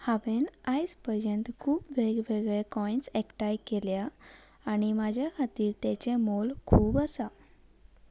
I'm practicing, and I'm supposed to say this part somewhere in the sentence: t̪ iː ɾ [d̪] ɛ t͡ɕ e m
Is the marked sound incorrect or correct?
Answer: incorrect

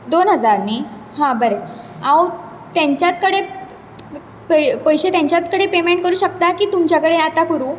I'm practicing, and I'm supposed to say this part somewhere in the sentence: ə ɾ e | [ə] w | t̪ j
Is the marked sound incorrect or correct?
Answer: incorrect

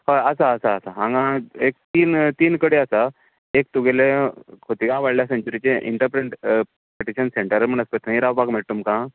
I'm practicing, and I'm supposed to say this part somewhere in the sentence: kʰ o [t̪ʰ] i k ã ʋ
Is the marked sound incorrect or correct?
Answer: incorrect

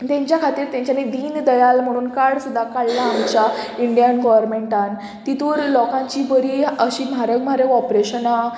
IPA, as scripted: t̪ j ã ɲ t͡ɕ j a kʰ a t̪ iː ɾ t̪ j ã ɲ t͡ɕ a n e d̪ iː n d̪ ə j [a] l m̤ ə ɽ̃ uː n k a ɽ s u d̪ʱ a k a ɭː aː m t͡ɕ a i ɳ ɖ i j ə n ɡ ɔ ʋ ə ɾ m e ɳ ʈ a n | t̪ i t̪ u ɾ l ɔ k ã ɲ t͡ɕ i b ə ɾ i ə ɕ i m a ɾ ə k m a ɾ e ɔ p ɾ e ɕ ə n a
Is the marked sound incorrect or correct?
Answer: correct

